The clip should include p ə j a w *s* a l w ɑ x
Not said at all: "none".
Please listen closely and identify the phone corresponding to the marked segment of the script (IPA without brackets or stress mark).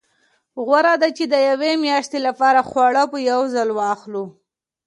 z